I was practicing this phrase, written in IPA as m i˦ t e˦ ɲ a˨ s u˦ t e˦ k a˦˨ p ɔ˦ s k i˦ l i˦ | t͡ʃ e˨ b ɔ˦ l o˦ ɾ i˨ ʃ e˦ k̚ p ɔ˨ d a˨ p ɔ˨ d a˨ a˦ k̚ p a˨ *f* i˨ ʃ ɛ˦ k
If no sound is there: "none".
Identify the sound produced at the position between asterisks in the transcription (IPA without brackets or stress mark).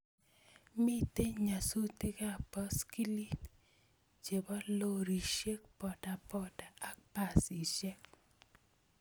s